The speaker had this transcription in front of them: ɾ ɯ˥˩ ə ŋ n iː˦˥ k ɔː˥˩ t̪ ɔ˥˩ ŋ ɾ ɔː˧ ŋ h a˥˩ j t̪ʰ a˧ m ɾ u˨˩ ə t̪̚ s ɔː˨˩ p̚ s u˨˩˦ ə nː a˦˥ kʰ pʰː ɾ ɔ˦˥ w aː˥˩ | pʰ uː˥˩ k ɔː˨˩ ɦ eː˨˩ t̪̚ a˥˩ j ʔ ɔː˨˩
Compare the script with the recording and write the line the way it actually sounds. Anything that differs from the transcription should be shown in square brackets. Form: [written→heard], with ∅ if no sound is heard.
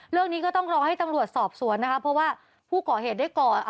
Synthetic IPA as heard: ɾ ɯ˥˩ ə ŋ n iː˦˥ k ɔː˥˩ t̪ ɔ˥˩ ŋ ɾ ɔː˧ ŋ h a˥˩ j [t̪ʰ→t̪] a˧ m ɾ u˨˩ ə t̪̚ s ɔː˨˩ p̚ s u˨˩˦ ə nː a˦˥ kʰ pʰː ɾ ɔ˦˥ w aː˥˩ | pʰ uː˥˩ k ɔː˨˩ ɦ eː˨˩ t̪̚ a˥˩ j [ʔ→k] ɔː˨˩